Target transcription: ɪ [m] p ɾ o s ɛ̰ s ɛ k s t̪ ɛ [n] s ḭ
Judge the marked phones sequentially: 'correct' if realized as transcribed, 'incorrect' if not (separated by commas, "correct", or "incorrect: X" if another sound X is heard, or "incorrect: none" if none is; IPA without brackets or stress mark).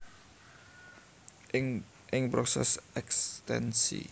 incorrect: ŋ, correct